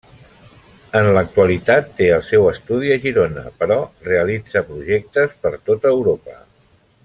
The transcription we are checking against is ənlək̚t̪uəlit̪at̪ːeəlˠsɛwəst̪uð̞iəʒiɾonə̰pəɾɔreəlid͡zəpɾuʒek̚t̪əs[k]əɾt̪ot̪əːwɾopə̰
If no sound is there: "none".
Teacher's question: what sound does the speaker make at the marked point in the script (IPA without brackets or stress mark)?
p